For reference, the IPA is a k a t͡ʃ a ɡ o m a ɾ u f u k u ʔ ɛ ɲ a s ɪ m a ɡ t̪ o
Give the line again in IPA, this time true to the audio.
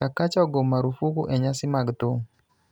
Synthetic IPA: a k a t͡ʃ a ɡ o m a ɾ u f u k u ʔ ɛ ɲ a s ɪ m a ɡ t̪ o